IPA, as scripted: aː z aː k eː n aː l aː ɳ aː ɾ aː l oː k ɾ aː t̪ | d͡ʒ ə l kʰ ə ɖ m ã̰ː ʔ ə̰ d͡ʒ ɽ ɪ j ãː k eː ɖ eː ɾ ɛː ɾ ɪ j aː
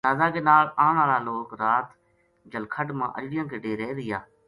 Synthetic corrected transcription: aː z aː k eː n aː l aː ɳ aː ɾ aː l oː k ɾ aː t̪ | d͡ʒ ə l kʰ ə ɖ m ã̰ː ʔ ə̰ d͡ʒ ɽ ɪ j ãː k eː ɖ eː ɾ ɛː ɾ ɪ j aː